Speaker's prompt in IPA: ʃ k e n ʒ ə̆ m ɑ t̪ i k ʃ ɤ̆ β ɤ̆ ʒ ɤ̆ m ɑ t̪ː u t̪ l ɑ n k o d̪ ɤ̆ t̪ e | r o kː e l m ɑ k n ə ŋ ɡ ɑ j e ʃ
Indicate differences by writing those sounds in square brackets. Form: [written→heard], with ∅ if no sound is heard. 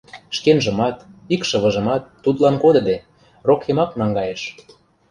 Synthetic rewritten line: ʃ k e n ʒ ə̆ m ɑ t̪ i k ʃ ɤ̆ β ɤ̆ ʒ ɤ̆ m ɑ t̪ː u t̪ l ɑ n k o d̪ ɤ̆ [t̪→d̪] e | r o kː e [l→∅] m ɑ k n [ə→ɑ] ŋ ɡ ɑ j e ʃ

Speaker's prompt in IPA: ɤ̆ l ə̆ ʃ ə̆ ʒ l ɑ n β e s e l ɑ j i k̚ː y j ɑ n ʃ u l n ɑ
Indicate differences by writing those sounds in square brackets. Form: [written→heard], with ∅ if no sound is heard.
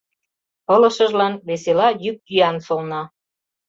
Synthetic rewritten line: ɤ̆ l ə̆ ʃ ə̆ ʒ l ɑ n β e s e l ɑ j [i→y] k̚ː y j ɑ n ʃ [u→o] l n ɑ

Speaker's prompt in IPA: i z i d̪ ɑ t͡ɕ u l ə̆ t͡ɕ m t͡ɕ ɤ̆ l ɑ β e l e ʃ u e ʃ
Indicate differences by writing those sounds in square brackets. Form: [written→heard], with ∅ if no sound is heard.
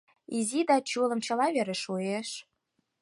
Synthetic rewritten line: i z i d̪ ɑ t͡ɕ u l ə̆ [t͡ɕ→∅] m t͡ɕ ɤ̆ l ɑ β e [l→ɾ] e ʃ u e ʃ

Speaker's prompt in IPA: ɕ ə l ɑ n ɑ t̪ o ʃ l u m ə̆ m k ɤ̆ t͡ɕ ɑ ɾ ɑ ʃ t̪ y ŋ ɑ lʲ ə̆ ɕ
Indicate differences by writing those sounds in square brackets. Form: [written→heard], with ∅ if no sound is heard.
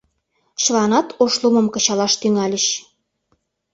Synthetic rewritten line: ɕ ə l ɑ n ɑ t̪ o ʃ l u m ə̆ m k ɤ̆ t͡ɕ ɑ [ɾ→l] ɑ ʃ t̪ y ŋ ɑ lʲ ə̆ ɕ

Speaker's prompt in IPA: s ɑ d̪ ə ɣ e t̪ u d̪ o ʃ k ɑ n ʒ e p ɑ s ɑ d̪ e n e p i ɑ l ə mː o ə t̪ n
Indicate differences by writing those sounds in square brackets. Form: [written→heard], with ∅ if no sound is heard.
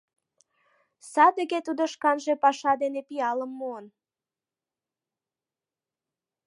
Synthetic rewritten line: s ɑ d̪ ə ɣ e t̪ u d̪ o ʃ k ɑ n ʒ e p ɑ [s→ʃ] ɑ d̪ e n e p i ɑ l ə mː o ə [t̪→∅] n

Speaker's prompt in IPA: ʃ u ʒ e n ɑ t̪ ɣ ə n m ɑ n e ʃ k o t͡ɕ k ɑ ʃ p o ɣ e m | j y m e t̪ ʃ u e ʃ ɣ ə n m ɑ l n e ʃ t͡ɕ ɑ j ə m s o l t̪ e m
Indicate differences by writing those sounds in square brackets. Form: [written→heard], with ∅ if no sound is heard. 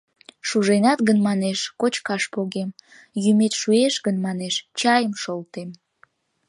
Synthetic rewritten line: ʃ u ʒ e n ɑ t̪ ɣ ə n m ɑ n e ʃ k o t͡ɕ k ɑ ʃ p o ɣ e m | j y m e t̪ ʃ u e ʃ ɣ ə n m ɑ [l→∅] n e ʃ t͡ɕ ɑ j ə m [s→ʃ] o l t̪ e m

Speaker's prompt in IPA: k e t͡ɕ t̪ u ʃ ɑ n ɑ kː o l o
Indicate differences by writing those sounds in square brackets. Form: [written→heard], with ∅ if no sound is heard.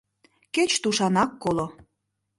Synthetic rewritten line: k e t͡ɕ t̪ u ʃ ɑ n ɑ kː o l o

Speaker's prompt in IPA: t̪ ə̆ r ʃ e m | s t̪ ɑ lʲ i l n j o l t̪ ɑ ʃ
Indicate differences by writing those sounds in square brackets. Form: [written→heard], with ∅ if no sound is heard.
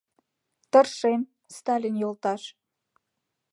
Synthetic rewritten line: t̪ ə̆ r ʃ e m | s t̪ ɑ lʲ i [l→∅] n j o l t̪ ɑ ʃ

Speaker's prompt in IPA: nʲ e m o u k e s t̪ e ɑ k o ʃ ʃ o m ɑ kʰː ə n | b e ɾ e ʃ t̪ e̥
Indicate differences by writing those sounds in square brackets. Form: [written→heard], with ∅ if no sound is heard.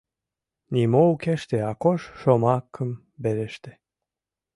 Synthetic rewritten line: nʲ [e→i] m o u k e [s→ʃ] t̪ e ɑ k o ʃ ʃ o m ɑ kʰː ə [n→m] | b e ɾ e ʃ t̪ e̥

